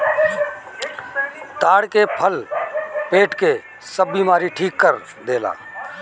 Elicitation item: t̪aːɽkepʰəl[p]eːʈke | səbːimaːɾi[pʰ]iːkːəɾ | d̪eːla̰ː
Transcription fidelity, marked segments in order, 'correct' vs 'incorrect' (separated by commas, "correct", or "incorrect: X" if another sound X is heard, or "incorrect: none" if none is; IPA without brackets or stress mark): correct, incorrect: ʈʰ